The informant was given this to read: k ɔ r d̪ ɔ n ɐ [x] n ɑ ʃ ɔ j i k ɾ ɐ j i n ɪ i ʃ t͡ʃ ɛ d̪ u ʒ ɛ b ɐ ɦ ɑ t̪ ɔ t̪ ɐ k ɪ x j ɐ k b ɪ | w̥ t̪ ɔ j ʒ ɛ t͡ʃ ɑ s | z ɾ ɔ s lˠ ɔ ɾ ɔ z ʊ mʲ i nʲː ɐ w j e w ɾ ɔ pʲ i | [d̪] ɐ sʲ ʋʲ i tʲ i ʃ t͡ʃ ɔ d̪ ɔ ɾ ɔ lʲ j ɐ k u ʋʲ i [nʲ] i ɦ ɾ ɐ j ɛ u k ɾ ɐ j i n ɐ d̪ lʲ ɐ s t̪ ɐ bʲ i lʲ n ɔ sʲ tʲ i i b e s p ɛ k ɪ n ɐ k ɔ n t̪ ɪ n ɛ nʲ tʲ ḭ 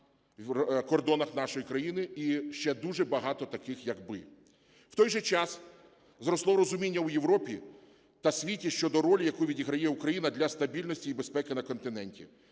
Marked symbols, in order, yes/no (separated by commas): yes, no, no